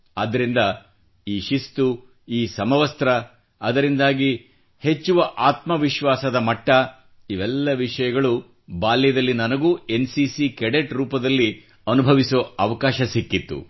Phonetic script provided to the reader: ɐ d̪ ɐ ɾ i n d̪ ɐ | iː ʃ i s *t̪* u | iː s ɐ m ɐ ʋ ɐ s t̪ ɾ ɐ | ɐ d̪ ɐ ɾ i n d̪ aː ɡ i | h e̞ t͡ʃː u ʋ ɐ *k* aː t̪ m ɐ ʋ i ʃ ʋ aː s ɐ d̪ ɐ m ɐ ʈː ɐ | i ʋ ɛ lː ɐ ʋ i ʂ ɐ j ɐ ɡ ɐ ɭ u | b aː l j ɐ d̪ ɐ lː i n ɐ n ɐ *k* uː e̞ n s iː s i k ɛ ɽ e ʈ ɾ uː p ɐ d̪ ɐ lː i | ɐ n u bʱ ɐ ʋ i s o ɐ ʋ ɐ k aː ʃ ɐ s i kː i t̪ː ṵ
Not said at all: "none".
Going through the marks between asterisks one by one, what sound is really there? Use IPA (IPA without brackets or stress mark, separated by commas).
t̪, ʔ, ɡ